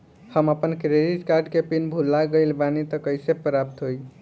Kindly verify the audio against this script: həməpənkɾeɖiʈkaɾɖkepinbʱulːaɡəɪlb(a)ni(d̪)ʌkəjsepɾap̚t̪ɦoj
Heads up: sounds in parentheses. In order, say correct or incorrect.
correct, incorrect: t̪

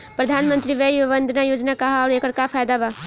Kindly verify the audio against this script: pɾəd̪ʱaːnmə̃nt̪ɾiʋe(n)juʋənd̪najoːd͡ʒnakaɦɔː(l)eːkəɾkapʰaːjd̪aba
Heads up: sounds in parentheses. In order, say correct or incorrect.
incorrect: none, incorrect: ɾ

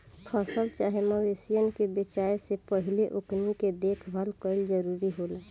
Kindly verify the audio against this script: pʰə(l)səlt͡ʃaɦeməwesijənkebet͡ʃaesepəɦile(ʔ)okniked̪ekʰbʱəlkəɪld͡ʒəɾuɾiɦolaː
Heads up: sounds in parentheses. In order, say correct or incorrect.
incorrect: none, correct

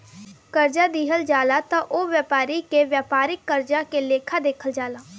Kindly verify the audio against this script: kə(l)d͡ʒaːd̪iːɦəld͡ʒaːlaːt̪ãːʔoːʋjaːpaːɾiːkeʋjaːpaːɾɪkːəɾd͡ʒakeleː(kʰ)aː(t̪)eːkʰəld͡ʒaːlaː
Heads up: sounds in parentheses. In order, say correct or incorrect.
incorrect: ɾ, correct, incorrect: d̪

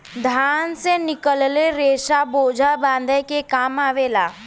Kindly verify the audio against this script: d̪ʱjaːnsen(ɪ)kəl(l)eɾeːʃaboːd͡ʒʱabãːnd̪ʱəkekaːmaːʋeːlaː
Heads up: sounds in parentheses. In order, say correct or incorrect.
correct, correct

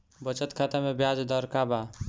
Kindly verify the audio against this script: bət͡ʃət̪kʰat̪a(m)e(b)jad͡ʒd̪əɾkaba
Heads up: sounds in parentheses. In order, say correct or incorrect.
correct, correct

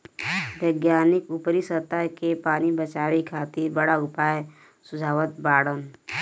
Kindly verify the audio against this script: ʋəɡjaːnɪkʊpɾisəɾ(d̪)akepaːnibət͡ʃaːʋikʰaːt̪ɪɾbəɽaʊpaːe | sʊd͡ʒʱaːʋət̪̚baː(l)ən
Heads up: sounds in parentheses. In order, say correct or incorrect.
incorrect: t̪, incorrect: ɽ

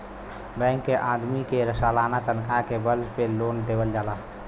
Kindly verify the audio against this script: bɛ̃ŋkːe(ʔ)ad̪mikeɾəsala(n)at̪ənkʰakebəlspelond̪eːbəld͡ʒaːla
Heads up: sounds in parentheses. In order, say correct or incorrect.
correct, correct

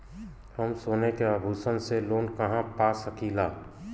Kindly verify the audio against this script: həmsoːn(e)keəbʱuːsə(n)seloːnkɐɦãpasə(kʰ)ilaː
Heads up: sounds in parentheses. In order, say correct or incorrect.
correct, correct, incorrect: k

